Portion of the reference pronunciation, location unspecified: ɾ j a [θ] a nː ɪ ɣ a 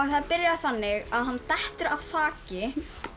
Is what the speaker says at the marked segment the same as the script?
yes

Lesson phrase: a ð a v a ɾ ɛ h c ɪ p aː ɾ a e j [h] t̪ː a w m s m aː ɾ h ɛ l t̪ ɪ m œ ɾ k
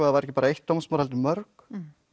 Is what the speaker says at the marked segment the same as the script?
yes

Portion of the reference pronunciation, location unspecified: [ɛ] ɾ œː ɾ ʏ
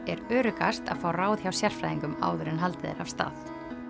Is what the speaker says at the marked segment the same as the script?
yes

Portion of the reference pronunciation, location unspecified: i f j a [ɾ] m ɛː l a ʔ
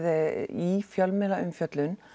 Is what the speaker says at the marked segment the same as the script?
no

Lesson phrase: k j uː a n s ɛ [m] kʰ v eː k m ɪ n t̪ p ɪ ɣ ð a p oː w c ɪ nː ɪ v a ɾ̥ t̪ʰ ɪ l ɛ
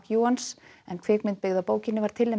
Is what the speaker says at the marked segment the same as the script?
no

